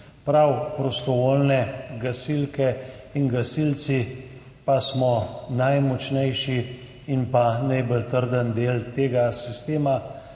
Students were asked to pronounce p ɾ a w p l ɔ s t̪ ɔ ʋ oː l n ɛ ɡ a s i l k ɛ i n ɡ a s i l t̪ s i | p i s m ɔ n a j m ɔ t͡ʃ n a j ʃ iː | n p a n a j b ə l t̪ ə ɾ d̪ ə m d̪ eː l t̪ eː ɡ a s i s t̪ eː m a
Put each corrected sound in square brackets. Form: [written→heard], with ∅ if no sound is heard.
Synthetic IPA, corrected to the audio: p ɾ a w p [l→ɾ] ɔ s t̪ ɔ ʋ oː l n ɛ ɡ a s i l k ɛ i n ɡ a s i l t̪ s i | p [i→a] s m ɔ n a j m ɔ t͡ʃ n [a→ɛ] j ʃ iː | n p a n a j b ə l t̪ ə ɾ d̪ ə [m→n] d̪ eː l t̪ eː ɡ a s i s t̪ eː m a